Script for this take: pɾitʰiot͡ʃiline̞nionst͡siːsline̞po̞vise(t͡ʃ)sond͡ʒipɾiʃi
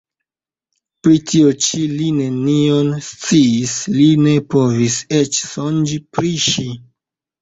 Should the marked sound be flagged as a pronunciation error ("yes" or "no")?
no